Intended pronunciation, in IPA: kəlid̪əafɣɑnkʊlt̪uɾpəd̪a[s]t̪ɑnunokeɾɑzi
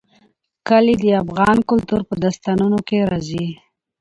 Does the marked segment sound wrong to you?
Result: no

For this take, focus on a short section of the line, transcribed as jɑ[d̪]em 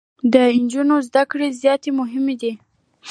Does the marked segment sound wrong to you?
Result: yes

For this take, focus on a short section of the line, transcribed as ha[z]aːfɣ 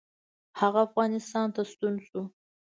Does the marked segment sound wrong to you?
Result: yes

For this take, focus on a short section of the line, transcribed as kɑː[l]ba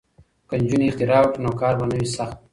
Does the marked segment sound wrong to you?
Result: yes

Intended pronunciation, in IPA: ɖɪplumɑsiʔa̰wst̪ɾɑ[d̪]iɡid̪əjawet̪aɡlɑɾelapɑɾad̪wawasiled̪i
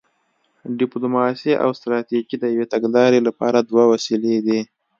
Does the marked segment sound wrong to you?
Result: yes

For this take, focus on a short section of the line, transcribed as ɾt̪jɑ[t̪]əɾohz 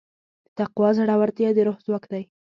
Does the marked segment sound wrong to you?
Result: yes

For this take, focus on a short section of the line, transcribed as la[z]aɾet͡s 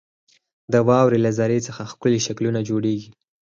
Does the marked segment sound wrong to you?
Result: no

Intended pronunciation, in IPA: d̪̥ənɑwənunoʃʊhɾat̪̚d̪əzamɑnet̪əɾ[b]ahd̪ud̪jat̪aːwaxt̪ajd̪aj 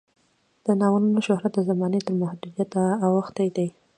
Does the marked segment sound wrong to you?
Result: yes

